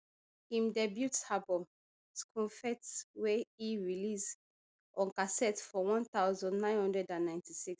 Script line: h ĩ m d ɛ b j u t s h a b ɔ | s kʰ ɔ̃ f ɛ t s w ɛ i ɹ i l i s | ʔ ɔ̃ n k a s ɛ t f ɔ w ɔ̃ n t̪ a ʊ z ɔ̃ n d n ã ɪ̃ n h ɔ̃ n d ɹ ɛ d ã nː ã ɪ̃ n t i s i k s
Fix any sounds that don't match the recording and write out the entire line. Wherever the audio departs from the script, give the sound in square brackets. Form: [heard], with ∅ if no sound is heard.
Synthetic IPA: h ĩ m d ɛ b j u t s h a b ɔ | s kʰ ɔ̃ f ɛ t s w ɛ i ɹ i l i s | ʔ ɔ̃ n k a s ɛ t f ɔ w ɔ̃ n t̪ a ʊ z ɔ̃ n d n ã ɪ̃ n h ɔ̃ n d ɹ ɛ d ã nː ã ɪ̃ n t i s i k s